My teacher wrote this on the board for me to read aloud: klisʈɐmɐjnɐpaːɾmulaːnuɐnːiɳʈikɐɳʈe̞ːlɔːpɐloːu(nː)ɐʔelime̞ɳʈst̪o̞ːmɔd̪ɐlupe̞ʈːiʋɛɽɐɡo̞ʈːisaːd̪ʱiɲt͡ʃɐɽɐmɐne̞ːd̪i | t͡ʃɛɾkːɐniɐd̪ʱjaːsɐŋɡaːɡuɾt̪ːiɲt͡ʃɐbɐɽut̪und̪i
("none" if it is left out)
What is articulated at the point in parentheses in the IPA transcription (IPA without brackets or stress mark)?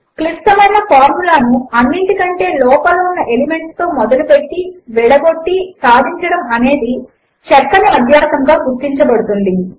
nː